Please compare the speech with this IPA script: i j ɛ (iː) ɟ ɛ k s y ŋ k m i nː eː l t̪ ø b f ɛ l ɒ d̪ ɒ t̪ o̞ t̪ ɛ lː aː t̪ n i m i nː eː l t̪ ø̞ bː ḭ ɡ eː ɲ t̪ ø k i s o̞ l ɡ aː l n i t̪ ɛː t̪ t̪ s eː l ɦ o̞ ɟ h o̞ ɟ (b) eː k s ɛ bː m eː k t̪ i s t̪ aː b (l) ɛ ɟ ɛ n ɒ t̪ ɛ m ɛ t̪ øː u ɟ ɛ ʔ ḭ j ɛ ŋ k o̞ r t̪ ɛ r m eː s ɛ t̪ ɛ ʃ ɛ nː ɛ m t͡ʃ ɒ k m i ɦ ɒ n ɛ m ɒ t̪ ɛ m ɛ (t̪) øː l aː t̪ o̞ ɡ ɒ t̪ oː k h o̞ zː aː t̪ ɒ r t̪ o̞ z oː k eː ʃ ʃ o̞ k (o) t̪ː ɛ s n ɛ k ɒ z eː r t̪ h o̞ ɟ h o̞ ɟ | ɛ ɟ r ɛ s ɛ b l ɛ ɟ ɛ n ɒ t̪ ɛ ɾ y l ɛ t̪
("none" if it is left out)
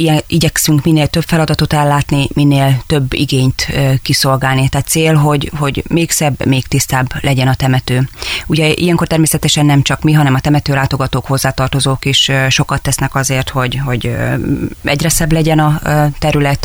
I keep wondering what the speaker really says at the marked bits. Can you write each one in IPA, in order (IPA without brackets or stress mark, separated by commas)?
i, m, l, t̪, ɒ